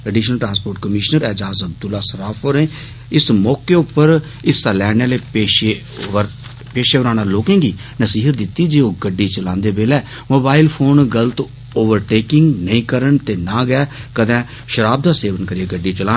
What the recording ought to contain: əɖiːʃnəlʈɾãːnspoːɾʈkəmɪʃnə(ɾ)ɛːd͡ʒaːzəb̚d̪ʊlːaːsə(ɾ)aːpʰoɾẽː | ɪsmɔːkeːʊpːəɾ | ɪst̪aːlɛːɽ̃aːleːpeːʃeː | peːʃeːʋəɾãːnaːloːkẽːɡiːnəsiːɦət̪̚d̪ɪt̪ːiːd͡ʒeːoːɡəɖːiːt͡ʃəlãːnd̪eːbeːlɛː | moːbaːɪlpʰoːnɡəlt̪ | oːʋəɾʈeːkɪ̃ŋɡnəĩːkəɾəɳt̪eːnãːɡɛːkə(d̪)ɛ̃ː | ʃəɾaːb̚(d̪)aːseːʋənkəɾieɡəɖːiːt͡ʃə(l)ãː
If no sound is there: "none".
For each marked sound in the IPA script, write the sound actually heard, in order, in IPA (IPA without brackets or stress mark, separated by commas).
ɾ, ɾ, d̪, d̪, l